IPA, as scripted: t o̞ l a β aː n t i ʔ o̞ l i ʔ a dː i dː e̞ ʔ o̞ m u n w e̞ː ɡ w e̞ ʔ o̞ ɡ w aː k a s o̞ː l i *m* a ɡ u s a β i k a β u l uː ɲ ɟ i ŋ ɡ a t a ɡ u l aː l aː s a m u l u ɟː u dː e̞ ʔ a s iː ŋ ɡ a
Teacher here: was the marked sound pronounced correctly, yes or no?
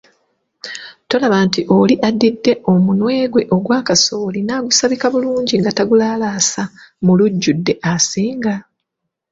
no